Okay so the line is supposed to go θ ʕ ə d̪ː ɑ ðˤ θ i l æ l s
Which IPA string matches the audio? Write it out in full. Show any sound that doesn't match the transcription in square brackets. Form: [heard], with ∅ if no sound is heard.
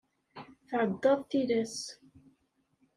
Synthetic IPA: θ ʕ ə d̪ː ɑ ðˤ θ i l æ [∅] s